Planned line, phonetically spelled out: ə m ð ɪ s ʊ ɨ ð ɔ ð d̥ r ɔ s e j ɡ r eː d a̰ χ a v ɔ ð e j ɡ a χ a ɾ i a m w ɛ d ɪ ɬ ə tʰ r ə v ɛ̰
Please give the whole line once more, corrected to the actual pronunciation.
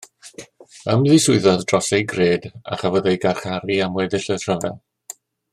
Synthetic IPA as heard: ə m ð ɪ s ʊ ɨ ð ɔ ð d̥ r ɔ s e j ɡ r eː d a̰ χ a v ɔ ð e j ɡ a χ a ɾ i a m w ɛ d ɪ ɬ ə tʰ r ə v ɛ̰